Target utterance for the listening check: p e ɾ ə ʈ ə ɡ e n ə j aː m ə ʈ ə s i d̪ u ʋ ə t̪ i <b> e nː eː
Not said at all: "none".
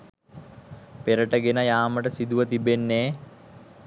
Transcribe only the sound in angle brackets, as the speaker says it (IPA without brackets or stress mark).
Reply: b